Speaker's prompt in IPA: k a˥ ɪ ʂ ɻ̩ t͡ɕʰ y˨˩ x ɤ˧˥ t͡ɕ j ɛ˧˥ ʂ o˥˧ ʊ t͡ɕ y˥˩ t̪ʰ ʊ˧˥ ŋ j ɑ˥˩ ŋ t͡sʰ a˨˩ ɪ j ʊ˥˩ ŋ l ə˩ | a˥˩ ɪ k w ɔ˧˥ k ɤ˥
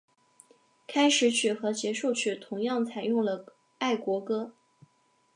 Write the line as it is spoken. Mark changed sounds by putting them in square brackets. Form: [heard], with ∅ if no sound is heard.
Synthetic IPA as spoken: [kʰ] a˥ ɪ ʂ ɻ̩ t͡ɕʰ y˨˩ x ɤ˧˥ t͡ɕ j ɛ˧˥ ʂ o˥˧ ʊ [t͡ɕʰ] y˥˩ t̪ʰ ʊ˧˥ ŋ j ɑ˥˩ ŋ t͡sʰ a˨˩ ɪ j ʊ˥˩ ŋ l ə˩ | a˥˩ ɪ k w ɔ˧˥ k ɤ˥